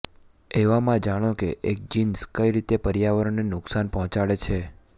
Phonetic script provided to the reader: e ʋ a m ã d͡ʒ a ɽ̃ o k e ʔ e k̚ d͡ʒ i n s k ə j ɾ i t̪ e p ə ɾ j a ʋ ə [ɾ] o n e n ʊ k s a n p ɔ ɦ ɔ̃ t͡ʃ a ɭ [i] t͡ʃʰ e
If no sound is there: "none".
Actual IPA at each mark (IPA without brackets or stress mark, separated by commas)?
ɾ, e